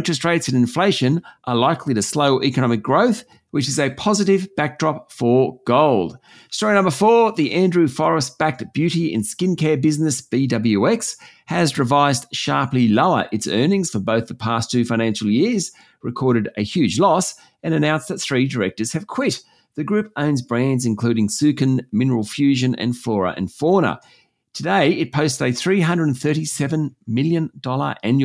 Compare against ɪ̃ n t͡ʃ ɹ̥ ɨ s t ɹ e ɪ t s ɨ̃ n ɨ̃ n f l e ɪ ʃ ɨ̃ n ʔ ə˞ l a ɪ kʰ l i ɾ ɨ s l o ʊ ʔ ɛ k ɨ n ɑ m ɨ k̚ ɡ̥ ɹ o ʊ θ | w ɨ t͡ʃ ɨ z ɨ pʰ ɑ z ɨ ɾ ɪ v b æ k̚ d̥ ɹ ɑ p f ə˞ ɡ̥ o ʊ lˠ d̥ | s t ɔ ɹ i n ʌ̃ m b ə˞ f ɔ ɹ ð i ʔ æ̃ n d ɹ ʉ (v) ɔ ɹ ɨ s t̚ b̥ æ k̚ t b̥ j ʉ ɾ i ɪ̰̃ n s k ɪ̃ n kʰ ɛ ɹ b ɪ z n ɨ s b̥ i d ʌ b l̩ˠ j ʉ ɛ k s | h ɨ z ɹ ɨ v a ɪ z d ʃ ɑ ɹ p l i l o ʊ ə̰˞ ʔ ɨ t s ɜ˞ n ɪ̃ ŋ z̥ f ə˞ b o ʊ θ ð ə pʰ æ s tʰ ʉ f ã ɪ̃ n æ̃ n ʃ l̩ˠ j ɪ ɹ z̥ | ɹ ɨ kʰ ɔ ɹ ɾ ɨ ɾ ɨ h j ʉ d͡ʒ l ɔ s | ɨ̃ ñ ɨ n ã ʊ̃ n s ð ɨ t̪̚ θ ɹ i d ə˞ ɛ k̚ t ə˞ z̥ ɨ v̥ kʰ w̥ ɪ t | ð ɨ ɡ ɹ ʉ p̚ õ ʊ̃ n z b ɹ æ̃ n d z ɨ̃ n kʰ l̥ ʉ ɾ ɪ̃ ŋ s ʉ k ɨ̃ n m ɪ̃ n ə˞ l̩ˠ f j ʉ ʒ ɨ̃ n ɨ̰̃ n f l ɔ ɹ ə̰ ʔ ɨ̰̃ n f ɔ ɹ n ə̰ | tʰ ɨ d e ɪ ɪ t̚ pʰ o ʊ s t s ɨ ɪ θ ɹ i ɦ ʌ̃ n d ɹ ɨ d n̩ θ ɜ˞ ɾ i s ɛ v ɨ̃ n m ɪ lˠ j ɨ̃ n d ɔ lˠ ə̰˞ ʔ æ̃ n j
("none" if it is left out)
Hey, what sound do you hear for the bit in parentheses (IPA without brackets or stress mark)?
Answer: f